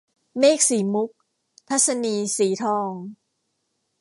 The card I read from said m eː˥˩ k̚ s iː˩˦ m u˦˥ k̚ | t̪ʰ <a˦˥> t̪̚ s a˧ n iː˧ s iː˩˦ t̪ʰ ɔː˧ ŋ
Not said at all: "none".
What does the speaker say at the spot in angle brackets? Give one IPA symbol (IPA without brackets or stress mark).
a˦˥